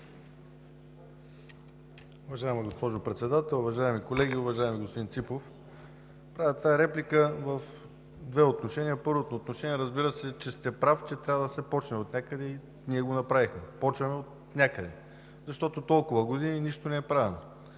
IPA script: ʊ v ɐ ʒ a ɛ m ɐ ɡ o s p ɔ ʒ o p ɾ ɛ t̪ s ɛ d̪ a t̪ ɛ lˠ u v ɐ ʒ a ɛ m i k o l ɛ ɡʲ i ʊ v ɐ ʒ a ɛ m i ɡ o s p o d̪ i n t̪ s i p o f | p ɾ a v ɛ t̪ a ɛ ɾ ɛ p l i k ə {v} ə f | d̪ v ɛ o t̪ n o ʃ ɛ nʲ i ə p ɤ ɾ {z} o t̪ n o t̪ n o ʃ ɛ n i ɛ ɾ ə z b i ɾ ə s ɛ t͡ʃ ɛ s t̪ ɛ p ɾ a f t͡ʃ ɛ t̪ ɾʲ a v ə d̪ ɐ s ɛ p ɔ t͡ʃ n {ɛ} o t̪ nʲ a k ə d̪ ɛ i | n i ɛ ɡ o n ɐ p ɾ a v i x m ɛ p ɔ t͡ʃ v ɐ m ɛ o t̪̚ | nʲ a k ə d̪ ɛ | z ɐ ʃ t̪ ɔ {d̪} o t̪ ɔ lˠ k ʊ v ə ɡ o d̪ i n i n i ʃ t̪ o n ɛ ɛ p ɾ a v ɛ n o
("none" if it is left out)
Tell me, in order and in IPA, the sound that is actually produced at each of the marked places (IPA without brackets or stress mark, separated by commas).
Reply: v, v, ɛ, t̪